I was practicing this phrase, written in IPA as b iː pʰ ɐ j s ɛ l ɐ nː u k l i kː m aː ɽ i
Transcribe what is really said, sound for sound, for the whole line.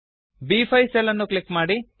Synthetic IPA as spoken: b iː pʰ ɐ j s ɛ l ɐ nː u k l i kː m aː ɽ i